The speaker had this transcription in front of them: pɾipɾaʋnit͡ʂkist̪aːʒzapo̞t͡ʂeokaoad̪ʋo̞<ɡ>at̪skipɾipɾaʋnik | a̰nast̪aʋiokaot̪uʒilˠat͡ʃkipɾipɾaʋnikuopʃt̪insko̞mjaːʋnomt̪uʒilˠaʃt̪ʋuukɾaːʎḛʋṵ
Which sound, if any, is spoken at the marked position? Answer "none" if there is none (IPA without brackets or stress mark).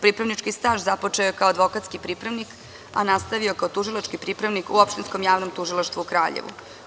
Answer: k